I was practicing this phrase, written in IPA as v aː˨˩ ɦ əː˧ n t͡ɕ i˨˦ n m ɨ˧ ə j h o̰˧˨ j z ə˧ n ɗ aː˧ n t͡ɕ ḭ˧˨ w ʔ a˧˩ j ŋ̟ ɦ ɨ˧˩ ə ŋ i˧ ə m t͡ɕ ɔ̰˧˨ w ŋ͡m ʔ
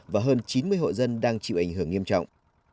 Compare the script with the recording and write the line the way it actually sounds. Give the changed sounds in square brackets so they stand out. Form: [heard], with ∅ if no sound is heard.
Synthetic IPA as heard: v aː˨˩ ɦ əː˧ n t͡ɕ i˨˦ n m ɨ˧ ə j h o̰˧˨ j z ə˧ n ɗ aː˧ [ŋ] t͡ɕ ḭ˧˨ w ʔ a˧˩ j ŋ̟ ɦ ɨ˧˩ ə ŋ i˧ ə m t͡ɕ ɔ̰˧˨ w ŋ͡m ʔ